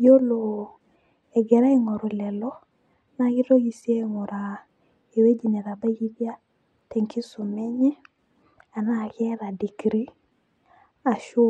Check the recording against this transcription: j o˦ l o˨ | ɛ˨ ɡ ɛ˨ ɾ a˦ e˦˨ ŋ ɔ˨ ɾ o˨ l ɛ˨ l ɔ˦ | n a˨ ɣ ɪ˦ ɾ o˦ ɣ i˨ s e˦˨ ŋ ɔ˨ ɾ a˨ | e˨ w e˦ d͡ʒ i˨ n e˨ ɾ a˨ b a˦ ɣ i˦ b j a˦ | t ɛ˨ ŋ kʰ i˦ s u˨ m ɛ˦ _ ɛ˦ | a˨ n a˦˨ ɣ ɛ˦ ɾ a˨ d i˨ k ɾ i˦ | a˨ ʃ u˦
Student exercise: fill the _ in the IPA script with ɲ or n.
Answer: ɲ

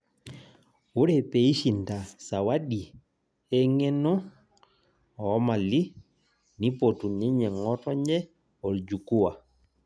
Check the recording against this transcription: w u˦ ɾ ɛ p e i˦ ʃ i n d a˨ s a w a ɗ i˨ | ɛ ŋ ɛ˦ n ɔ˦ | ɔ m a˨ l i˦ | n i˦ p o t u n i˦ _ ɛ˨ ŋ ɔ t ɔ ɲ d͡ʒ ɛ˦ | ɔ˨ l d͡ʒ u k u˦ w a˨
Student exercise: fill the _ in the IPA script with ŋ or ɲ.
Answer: ɲ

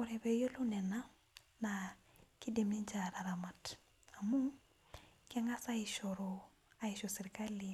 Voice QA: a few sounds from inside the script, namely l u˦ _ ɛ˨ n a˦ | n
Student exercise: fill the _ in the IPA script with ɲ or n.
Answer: n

